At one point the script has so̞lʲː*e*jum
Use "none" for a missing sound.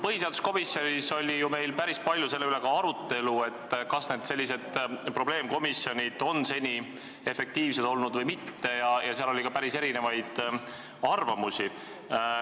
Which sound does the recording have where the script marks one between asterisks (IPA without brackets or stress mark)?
i